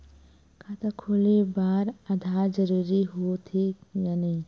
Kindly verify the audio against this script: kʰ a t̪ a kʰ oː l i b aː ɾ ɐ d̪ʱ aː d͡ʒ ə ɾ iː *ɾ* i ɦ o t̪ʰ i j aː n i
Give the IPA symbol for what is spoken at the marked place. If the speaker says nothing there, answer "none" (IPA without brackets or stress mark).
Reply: ɾ